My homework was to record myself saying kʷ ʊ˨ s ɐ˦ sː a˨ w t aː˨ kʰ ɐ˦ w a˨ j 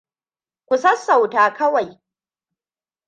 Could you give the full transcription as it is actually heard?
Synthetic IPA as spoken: kʷ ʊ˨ s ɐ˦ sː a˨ w t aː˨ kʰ ɐ˦ w a˨ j